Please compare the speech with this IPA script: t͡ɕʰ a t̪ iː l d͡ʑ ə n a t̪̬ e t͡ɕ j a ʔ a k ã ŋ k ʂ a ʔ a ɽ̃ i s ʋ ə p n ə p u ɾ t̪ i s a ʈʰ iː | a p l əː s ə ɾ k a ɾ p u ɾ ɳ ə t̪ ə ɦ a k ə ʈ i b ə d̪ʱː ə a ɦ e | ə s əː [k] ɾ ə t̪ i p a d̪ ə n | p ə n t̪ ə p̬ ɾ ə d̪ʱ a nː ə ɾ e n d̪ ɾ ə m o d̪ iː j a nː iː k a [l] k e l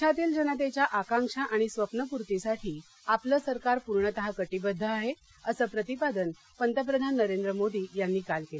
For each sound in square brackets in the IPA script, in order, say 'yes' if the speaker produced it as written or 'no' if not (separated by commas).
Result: no, yes